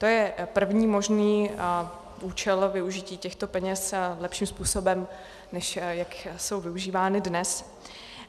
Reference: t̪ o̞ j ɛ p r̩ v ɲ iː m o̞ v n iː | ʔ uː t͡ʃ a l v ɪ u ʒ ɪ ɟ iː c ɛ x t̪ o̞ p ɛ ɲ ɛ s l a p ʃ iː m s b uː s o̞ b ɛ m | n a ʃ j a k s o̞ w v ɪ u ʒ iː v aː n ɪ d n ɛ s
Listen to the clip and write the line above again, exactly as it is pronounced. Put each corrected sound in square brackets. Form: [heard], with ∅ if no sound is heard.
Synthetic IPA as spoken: t̪ o̞ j ɛ p r̩ v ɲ iː m o̞ [ʒ] n iː | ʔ uː t͡ʃ [ɛ] l v ɪ u ʒ ɪ [c] iː c ɛ x t̪ o̞ p ɛ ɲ ɛ s l [ɛ] p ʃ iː m s [p] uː s o̞ b ɛ m | n [ɛ] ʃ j a k s o̞ w v ɪ u ʒ iː v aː n ɪ d n ɛ s